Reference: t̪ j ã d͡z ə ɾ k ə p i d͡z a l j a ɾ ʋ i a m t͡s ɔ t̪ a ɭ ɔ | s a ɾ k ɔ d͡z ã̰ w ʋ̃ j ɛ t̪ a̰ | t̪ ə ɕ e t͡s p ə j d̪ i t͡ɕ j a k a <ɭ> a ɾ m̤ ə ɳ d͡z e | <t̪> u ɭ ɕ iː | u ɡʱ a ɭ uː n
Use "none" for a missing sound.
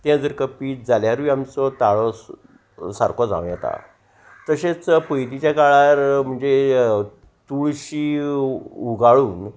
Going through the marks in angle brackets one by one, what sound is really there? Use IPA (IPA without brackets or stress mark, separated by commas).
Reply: ɭ, t̪